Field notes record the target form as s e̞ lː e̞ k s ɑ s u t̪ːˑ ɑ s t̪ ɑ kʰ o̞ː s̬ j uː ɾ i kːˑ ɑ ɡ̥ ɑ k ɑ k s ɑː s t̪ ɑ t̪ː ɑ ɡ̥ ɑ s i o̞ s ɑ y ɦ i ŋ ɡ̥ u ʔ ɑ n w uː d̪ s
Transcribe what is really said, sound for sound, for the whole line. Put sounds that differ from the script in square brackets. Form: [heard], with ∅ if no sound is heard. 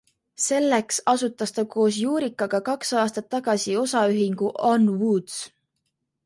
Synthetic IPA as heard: s e̞ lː e̞ k s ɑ s u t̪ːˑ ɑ s t̪ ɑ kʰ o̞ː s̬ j uː ɾ i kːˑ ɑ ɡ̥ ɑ k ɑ k s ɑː s t̪ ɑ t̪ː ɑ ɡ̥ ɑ s i o̞ s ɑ y ɦ i ŋ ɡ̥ u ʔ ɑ n w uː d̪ s